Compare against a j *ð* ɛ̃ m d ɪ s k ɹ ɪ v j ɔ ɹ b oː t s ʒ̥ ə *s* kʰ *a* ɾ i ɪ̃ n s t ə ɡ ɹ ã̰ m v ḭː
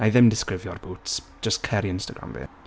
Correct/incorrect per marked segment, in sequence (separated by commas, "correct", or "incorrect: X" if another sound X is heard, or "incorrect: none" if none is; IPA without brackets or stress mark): correct, correct, incorrect: ɛ